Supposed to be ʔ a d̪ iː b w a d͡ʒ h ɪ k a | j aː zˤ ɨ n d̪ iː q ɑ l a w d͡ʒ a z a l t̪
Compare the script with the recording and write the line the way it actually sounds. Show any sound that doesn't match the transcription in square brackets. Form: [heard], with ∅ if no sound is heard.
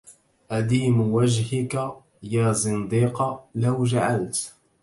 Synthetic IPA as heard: ʔ a d̪ iː [m] w a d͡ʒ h ɪ k a | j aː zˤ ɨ n d̪ iː q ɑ l a w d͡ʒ a [ʕ] a l t̪